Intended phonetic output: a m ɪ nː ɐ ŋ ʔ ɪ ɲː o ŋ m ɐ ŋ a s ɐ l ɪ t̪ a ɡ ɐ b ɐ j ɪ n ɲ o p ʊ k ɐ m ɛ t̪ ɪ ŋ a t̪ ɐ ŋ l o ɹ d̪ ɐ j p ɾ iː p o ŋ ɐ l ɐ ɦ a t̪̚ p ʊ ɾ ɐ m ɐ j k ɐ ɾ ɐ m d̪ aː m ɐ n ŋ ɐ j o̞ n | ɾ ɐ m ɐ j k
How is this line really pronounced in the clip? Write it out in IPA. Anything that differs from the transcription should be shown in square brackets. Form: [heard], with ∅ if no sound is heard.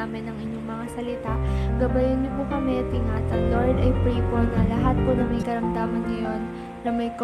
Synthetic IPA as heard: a m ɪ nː ɐ ŋ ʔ ɪ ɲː o ŋ m ɐ ŋ a s ɐ l ɪ t̪ a ɡ ɐ b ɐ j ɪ n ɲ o p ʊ k ɐ m ɛ t̪ ɪ ŋ a t̪ ɐ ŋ l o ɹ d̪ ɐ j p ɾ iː p o [n] ɐ l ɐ ɦ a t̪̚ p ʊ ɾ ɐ m ɐ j k ɐ ɾ ɐ m d̪ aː m ɐ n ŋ ɐ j o̞ n | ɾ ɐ m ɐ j k